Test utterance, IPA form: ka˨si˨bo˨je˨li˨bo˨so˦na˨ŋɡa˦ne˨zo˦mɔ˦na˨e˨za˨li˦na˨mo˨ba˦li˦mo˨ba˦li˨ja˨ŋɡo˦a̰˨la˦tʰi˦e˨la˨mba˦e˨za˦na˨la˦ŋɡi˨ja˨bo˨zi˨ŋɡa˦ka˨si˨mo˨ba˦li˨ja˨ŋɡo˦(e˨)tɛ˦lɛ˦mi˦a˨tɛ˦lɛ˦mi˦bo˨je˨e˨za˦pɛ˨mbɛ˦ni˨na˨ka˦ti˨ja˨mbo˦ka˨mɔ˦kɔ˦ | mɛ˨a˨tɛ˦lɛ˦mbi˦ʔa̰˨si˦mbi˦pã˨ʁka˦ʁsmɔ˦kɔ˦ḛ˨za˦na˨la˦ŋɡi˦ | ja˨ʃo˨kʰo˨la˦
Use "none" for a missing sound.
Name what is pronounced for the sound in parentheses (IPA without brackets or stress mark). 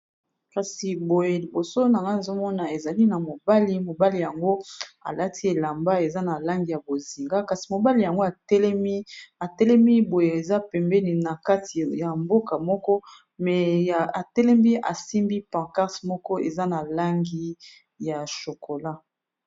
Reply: a˨